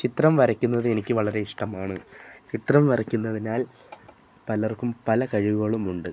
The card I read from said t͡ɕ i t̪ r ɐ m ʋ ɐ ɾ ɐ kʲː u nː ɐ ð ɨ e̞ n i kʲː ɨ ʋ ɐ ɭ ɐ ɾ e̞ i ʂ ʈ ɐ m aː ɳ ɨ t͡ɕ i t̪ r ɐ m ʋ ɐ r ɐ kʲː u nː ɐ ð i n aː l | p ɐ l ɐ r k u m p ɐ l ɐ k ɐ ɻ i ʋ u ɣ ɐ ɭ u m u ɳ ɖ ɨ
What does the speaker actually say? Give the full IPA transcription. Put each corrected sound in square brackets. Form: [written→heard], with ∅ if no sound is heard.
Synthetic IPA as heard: t͡ɕ i t̪ r ɐ m ʋ ɐ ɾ ɐ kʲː u nː ɐ ð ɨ e̞ n i kʲː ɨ ʋ ɐ ɭ ɐ ɾ e̞ i ʂ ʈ ɐ m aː ɳ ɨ t͡ɕ i t̪ r ɐ m ʋ ɐ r ɐ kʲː u nː ɐ ð i n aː l | p ɐ l ɐ r k u m p ɐ l ɐ k ɐ ɻ i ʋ u ɣ ɐ ɭ u m u ɳ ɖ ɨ